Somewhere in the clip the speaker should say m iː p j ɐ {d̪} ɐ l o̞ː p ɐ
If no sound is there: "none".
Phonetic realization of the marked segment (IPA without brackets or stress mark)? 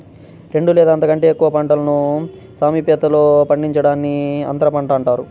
t̪